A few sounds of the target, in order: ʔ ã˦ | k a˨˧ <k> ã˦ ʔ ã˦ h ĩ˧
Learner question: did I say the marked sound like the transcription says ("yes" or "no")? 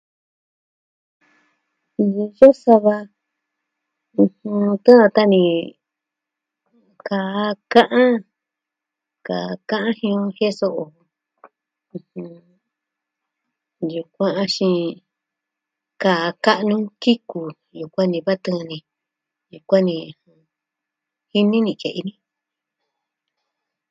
yes